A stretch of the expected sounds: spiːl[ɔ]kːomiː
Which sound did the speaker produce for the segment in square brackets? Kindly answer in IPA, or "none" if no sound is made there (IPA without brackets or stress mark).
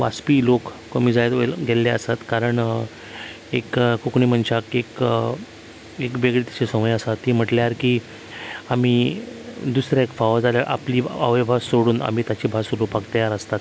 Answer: o